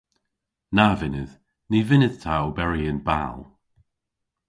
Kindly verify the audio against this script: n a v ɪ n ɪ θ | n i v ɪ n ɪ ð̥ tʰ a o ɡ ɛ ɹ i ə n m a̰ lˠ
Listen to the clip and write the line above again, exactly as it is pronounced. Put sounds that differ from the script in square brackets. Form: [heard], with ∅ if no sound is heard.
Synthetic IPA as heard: n a v ɪ n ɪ [ð] | n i v ɪ n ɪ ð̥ tʰ a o [b] ɛ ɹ i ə n [b] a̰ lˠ